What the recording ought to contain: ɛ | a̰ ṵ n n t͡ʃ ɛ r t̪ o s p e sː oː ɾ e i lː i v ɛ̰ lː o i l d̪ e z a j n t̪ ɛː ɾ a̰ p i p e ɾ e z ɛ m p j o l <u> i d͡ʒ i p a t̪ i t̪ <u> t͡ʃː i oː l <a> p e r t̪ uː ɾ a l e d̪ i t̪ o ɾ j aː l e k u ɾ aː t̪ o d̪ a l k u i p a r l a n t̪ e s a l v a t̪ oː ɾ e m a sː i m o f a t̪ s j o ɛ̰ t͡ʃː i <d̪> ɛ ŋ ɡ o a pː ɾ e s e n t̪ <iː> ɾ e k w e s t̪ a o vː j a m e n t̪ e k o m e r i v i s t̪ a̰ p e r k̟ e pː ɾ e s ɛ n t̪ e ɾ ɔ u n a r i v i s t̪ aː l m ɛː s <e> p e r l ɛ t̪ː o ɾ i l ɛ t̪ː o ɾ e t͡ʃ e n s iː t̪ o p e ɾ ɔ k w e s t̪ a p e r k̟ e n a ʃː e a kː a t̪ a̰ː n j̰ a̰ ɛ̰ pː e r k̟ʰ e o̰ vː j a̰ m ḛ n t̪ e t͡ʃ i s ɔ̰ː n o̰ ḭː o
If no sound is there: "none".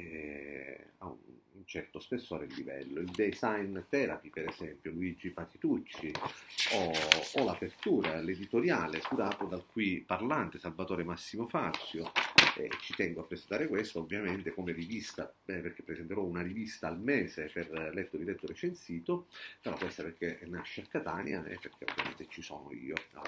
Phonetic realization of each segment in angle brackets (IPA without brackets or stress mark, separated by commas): u, u, a, t̪, aː, e